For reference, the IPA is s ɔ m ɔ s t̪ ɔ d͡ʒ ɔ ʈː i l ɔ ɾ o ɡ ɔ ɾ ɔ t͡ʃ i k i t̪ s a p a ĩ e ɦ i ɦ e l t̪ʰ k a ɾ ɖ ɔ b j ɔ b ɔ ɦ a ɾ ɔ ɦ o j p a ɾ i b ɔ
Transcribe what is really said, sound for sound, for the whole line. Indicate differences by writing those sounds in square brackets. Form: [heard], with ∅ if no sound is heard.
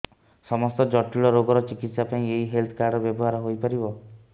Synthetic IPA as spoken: s ɔ m ɔ s t̪ ɔ d͡ʒ ɔ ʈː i [ɭ] ɔ ɾ o ɡ ɔ ɾ ɔ t͡ʃ i k i t̪ s a p a ĩ e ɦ i ɦ e l t̪ʰ k a ɾ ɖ ɔ b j ɔ b ɔ ɦ a ɾ ɔ ɦ o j p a ɾ i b ɔ

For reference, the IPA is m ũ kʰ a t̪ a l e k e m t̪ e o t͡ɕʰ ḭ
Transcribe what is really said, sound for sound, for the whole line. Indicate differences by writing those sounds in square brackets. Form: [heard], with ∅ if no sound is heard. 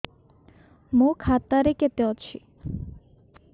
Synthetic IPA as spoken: m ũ kʰ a t̪ a [ɾ] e k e [∅] t̪ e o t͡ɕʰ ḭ

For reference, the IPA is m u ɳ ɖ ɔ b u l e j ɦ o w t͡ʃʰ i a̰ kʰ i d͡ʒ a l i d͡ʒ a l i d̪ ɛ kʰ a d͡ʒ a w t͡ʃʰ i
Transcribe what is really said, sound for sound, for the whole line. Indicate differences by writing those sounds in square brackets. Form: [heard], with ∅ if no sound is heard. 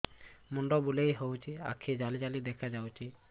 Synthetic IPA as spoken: m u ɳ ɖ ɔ b u l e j ɦ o w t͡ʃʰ i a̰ kʰ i d͡ʒ a l i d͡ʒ a l i d̪ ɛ kʰ a d͡ʒ a w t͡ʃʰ i

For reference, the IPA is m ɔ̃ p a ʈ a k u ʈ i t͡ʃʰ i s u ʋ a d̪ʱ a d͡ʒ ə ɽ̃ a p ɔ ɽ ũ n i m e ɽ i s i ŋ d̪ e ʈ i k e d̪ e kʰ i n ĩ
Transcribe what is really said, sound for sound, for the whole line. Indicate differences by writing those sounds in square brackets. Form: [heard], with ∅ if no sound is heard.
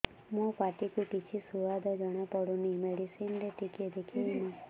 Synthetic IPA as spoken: m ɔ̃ p a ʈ [i] k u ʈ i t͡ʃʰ i s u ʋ a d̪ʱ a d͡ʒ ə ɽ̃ a p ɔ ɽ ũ n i m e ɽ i s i [n] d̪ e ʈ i k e d̪ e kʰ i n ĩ

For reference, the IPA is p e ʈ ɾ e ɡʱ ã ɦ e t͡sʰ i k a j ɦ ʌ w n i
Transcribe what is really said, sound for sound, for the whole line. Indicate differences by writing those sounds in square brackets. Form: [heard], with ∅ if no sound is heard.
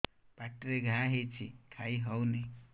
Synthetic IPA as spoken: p [a] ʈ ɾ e ɡʱ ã ɦ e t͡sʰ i [kʰ] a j ɦ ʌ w n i

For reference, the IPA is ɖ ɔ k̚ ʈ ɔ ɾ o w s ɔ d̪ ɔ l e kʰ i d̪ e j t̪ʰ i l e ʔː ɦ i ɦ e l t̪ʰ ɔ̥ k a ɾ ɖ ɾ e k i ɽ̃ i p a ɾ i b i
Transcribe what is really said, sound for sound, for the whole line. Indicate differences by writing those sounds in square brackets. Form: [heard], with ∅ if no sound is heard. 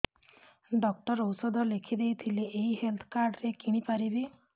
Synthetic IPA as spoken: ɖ ɔ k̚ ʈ ɔ ɾ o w s ɔ d̪ ɔ l e kʰ i d̪ e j t̪ʰ i l e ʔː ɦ i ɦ e l t̪ʰ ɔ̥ k a ɾ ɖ ɾ e k i ɽ̃ i p a ɾ i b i

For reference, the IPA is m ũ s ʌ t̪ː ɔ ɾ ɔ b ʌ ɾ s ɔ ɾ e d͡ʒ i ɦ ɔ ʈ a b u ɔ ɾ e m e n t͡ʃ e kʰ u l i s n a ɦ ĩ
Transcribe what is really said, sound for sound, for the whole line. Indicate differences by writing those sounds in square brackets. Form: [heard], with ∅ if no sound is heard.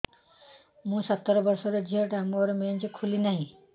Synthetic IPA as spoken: m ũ s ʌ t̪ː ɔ ɾ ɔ b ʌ ɾ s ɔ ɾ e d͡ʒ i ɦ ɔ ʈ a [m] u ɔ ɾ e m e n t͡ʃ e kʰ u l i [∅] n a ɦ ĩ

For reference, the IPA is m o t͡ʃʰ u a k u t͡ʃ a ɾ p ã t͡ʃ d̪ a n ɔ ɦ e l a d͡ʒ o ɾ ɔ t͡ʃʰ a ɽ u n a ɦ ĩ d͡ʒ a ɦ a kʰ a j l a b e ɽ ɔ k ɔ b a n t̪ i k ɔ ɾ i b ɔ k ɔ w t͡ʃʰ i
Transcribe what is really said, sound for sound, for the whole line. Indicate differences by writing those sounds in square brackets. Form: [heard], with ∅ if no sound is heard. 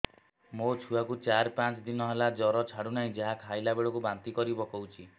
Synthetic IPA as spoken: m o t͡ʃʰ u a k u t͡ʃ a ɾ p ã t͡ʃ d̪ [i] n ɔ ɦ e l a d͡ʒ [ɔ] ɾ ɔ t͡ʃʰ a ɽ u n a ɦ ĩ d͡ʒ a ɦ a kʰ a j l a b e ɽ ɔ k [u] b a n t̪ i k ɔ ɾ i b ɔ k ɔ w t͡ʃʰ i

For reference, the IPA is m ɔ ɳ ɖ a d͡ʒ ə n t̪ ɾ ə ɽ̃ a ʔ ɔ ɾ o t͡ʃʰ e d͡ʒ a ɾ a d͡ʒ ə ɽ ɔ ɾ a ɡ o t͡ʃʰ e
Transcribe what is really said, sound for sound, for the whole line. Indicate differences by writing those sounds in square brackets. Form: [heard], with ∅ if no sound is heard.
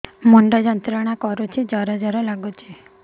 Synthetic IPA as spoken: m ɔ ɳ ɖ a d͡ʒ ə n t̪ ɾ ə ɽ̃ a [k] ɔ ɾ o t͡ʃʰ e d͡ʒ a ɾ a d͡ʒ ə [ɾ] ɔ [l] a ɡ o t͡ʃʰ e

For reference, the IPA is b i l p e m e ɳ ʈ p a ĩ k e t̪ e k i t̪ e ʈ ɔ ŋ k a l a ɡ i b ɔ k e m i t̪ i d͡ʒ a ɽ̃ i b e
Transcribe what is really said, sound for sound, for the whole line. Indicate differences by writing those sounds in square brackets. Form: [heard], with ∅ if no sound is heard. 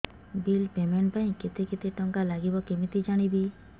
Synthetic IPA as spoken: b i l p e m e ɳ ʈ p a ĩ k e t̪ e k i t̪ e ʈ ɔ ŋ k a l a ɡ i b ɔ k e m i t̪ i d͡ʒ a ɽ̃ i b [i]

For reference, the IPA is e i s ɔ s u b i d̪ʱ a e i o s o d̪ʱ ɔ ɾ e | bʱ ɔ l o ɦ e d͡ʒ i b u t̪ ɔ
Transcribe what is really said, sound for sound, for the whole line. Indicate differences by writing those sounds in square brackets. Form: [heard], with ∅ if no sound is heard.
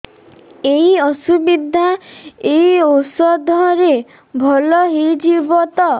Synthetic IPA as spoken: e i [∅] ɔ s u b i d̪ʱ a e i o s [ɔ] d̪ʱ ɔ ɾ e | bʱ ɔ l [ɔ] ɦ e d͡ʒ i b [ɔ] t̪ ɔ

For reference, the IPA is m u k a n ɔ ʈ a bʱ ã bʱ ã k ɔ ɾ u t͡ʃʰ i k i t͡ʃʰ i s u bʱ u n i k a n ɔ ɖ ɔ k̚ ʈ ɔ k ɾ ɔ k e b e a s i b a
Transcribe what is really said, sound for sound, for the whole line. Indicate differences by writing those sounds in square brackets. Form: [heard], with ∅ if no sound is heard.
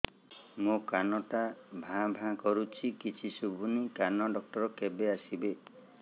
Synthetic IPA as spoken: m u k a n ɔ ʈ a bʱ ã bʱ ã k ɔ ɾ u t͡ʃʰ i k i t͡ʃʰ i s u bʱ u n i k a n ɔ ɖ ɔ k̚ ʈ ɔ [∅] ɾ ɔ k e b e a s i b [e]

